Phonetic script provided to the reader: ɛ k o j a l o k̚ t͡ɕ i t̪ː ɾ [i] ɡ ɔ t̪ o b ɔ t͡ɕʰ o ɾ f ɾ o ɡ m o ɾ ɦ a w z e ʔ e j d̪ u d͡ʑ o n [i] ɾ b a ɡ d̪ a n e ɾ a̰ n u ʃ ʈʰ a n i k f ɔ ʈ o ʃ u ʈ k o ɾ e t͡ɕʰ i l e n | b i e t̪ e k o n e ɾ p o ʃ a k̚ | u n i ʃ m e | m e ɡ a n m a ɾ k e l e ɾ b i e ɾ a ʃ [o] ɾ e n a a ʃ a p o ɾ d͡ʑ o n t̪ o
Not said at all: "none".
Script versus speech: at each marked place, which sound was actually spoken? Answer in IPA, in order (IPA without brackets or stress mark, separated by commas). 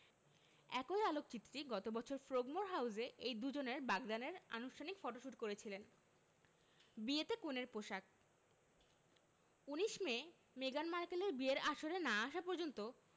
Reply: i, e, o